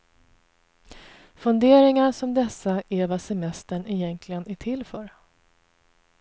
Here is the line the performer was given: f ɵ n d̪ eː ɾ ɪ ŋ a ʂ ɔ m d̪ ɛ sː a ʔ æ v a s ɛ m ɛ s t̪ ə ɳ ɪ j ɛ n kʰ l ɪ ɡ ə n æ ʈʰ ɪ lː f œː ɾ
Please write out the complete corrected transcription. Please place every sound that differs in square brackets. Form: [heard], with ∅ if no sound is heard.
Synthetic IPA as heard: f ɵ n d̪ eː ɾ ɪ ŋ a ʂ ɔ m d̪ ɛ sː a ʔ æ v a s ɛ m ɛ s t̪ ə ɳ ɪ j ɛ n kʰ l ɪ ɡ ə n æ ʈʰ ɪ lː f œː ɾ